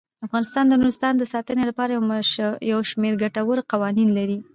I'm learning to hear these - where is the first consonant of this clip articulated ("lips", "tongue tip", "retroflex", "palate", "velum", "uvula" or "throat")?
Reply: lips